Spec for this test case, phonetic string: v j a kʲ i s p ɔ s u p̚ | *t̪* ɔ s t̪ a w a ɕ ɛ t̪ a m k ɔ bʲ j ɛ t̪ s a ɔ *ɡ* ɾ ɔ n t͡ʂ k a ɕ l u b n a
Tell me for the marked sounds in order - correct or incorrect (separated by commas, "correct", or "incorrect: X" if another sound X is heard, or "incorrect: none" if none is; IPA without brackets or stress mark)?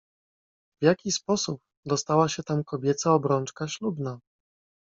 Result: incorrect: d̪, incorrect: b